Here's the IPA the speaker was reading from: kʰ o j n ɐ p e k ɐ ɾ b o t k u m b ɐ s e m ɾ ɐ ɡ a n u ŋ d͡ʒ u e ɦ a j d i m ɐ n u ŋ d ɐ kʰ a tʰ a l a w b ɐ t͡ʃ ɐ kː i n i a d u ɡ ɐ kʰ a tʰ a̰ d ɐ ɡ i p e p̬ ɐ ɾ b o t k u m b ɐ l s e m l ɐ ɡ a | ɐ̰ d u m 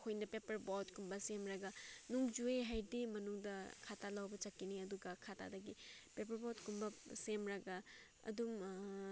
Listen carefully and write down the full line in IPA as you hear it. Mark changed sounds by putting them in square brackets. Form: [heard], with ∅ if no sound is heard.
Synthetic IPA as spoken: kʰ o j n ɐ p e [p] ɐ ɾ b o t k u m b ɐ s e m ɾ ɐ ɡ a n u ŋ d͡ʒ u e ɦ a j d i m ɐ n u ŋ d ɐ kʰ a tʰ a l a w b ɐ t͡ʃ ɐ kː i n i [ɐ] d u ɡ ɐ kʰ a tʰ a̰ d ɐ ɡ i p e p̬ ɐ ɾ b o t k u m b ɐ [∅] s e m [ɾ] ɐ ɡ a | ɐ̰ d u m